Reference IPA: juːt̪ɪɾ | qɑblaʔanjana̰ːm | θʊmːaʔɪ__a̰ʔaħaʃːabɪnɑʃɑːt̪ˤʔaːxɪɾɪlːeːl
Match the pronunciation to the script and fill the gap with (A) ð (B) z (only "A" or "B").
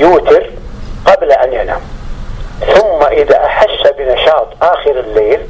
A